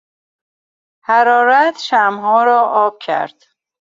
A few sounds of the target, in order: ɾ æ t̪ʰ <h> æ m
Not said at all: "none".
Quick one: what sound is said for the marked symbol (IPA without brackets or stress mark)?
ʃ